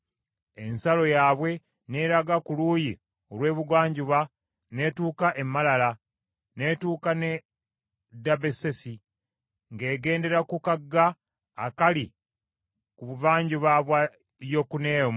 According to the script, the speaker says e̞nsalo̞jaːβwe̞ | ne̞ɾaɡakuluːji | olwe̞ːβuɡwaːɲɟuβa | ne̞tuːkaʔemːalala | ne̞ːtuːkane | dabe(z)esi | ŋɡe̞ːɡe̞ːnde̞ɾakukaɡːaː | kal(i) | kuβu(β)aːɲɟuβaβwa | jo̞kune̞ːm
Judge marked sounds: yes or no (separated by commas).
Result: no, yes, no